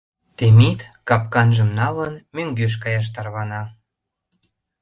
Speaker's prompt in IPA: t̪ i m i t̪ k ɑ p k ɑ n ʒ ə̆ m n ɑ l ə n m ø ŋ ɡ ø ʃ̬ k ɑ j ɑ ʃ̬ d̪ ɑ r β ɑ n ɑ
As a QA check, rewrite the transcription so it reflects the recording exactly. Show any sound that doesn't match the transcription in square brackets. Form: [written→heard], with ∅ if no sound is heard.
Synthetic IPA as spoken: t̪ [i→e] m i t̪ k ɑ p k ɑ n ʒ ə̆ m n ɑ l ə n m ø ŋ ɡ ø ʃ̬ k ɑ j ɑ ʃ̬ [d̪→t̪] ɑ r β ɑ n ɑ